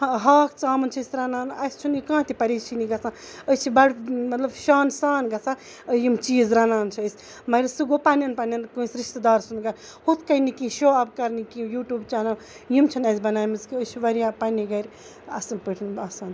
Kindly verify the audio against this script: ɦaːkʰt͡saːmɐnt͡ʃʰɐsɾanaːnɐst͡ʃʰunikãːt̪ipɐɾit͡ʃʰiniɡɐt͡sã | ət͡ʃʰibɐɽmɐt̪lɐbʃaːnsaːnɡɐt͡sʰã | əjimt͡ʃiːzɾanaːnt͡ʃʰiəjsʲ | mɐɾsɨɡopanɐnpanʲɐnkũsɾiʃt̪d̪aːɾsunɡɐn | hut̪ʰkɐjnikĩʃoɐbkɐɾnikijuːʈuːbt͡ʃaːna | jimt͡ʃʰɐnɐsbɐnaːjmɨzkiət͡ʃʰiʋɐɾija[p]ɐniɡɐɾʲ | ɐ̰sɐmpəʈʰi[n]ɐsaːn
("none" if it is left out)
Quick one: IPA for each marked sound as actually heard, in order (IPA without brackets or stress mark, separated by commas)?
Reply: p, n